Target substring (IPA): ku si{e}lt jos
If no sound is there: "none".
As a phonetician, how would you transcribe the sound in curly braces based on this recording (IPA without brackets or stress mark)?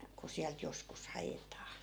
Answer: æ